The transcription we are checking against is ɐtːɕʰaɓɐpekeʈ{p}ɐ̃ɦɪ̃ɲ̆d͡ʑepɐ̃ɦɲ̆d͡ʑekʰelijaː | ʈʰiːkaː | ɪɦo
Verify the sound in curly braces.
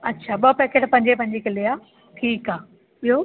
correct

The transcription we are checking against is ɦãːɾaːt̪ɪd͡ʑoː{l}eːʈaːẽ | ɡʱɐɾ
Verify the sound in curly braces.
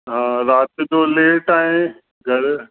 correct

